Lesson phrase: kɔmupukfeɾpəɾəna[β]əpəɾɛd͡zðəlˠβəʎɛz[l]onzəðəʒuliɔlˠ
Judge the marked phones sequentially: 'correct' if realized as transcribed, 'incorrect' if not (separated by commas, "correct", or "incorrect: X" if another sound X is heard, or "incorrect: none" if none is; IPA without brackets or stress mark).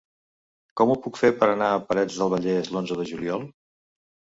incorrect: none, correct